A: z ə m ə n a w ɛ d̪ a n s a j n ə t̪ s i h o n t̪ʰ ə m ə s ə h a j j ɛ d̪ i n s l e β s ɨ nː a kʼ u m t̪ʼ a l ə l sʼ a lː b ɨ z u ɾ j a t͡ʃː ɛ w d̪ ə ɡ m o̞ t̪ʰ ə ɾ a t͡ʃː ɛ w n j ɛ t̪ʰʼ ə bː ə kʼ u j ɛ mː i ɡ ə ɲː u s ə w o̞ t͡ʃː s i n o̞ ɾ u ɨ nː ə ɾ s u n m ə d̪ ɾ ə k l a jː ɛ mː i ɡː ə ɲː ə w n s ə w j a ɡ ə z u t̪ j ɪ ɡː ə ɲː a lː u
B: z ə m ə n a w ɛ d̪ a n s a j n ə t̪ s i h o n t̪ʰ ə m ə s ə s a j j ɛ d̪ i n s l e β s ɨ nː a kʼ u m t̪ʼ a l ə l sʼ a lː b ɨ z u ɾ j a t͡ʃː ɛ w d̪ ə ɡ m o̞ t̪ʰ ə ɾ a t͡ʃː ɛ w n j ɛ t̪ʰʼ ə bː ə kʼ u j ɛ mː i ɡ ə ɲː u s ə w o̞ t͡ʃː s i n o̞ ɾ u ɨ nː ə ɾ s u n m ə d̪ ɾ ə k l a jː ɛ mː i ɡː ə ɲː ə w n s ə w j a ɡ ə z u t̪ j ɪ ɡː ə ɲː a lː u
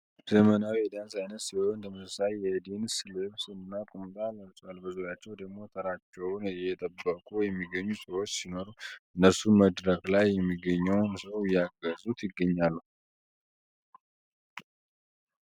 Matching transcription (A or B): B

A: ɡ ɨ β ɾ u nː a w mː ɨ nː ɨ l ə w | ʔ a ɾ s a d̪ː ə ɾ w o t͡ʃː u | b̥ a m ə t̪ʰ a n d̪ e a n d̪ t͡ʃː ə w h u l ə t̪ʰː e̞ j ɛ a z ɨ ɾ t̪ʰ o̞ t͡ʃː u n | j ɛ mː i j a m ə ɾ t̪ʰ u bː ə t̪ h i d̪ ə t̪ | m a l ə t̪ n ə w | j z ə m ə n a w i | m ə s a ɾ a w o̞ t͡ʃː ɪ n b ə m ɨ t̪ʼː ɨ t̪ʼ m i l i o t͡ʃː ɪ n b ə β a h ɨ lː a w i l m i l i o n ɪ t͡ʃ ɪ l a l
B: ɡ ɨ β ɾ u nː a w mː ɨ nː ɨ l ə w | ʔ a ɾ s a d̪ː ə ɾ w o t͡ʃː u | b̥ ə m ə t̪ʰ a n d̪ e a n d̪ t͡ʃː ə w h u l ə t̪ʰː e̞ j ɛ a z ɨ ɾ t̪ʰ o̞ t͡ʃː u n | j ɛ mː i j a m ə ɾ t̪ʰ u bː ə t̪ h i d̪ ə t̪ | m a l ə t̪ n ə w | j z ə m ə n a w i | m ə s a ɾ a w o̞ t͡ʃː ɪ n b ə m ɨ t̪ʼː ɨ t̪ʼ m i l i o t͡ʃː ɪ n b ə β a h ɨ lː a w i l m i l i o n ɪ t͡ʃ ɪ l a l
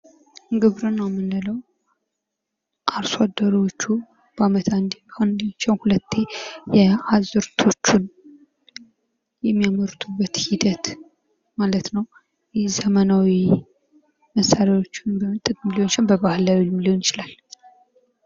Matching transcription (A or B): A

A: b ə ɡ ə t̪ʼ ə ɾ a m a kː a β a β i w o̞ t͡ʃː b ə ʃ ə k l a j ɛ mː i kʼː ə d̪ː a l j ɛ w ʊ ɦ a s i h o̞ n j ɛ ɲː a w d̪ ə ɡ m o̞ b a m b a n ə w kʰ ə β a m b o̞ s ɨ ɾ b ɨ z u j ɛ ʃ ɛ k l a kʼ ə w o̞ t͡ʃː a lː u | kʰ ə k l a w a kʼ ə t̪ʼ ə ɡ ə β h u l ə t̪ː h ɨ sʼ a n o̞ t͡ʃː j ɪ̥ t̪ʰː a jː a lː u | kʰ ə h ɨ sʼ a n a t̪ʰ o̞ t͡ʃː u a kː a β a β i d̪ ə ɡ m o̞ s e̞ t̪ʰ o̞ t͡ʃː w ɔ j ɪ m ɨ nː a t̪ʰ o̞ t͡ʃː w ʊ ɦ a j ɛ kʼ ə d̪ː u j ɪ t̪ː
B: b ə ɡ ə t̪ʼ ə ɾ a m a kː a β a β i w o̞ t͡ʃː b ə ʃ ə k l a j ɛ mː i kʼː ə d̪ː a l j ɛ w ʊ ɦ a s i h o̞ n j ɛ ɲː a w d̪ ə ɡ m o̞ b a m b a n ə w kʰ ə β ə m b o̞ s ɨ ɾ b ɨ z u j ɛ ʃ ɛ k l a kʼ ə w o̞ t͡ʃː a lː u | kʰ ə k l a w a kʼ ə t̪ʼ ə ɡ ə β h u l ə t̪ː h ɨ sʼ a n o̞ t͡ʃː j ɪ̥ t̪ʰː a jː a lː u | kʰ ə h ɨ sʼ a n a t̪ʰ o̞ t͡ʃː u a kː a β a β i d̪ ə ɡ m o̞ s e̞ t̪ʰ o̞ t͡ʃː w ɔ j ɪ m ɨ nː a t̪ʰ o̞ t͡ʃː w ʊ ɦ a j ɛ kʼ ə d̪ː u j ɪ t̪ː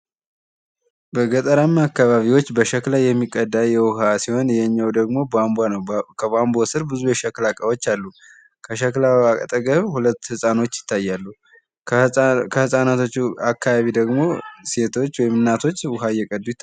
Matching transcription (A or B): A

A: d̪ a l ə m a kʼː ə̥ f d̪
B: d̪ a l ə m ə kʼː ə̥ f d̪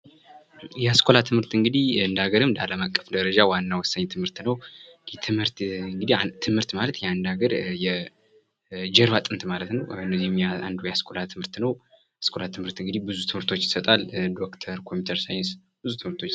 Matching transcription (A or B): A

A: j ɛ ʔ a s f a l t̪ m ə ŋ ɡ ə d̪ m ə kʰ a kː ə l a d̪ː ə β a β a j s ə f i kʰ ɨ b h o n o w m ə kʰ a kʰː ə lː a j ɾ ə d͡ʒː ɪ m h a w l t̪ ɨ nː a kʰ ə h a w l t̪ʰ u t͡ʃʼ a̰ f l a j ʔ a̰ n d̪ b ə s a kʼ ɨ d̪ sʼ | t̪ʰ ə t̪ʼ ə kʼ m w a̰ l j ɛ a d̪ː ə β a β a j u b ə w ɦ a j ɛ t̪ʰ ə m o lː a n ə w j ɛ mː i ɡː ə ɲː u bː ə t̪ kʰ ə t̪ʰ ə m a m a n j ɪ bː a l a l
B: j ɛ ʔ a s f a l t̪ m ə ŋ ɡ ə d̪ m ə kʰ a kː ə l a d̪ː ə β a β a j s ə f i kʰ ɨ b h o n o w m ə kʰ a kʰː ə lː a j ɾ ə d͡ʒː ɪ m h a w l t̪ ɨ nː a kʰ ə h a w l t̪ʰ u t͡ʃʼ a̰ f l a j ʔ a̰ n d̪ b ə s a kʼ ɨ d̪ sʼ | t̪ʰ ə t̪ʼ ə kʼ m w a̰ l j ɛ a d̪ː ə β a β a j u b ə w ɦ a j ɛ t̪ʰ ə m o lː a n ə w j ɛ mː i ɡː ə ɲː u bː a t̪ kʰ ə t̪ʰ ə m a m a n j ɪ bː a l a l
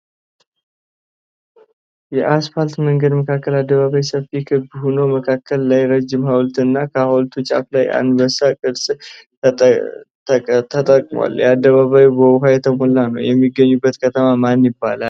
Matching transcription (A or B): A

